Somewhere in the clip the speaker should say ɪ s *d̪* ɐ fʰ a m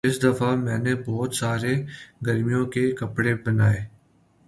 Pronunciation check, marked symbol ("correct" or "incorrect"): correct